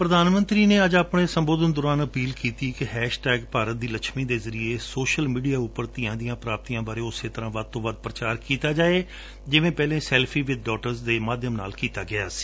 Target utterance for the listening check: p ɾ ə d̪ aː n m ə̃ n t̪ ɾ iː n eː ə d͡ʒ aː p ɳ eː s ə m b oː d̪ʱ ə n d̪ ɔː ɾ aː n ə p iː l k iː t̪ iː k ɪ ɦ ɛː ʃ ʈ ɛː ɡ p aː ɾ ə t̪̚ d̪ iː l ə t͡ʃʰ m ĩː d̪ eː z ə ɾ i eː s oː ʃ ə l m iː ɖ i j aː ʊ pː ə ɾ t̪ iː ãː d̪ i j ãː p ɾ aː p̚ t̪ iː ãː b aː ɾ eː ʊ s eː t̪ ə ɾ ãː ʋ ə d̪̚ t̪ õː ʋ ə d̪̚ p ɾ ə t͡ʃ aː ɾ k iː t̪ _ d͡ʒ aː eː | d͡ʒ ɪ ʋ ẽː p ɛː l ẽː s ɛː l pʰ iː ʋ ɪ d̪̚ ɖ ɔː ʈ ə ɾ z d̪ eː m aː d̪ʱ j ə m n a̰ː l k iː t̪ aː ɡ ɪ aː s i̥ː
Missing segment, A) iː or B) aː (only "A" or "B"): B